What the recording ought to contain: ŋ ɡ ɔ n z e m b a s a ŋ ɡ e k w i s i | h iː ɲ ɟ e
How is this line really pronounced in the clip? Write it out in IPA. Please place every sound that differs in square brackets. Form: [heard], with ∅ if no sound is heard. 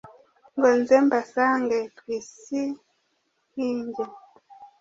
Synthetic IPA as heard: ŋ ɡ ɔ n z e m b a s a ŋ ɡ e [t] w i s i | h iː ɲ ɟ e